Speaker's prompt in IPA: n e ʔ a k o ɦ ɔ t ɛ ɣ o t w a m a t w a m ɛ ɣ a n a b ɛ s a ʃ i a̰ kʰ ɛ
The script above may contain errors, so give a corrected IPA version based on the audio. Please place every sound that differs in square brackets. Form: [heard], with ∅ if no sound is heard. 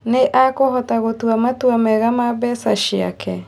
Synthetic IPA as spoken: n e ʔ a k o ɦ ɔ t [a] ɣ o t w a m a t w a m ɛ ɣ a [m] a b ɛ s a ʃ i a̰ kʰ ɛ